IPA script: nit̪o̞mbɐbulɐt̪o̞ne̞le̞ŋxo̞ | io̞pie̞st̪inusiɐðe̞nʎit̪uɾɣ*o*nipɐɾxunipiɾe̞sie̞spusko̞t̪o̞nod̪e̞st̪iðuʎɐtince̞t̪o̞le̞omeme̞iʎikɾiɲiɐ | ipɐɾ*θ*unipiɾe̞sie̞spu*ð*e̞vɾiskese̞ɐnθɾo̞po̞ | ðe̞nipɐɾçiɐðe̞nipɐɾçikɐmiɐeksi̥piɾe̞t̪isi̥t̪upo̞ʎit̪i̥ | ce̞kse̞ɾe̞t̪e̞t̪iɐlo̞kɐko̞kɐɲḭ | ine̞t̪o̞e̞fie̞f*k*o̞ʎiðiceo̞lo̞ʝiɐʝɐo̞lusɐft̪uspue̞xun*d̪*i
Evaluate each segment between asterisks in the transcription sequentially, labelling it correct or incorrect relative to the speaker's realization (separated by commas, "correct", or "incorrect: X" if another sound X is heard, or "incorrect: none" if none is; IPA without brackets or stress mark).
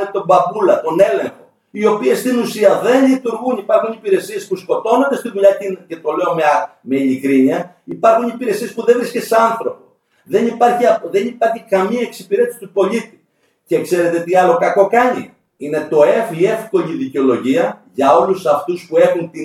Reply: incorrect: u, incorrect: x, correct, correct, incorrect: t̪